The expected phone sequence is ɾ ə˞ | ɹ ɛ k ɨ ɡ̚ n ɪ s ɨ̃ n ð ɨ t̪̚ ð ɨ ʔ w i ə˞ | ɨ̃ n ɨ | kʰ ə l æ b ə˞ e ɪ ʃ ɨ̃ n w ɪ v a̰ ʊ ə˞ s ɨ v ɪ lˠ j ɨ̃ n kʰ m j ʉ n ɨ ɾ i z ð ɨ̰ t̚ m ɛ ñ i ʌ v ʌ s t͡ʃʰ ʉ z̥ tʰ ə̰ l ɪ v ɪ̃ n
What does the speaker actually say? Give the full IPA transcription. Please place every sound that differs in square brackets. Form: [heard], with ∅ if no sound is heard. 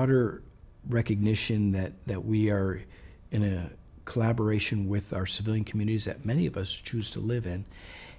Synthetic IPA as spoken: ɾ ə˞ | ɹ ɛ k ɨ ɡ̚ n ɪ [ʃ] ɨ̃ n ð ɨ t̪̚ ð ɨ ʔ w i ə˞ | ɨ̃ n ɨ | kʰ ə l æ b ə˞ e ɪ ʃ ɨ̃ n w ɪ [ð] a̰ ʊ ə˞ s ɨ v ɪ lˠ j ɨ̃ n kʰ m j ʉ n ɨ ɾ i z ð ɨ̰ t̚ m ɛ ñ i ʌ v ʌ s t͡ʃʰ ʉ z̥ tʰ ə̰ l ɪ v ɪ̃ n